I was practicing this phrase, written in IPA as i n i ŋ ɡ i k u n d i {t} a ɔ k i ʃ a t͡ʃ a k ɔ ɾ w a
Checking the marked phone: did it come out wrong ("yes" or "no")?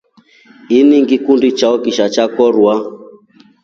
yes